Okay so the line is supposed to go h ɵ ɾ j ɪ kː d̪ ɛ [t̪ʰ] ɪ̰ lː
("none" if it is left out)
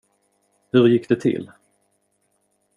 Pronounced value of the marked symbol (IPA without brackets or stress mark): t̪ʰ